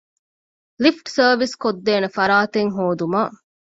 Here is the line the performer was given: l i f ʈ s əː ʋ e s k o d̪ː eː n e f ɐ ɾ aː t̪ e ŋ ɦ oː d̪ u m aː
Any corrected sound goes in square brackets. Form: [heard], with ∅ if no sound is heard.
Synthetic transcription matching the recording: l i f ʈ s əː ʋ [i] s k o d̪ː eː n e f ɐ ɾ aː t̪ e ŋ ɦ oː d̪ u m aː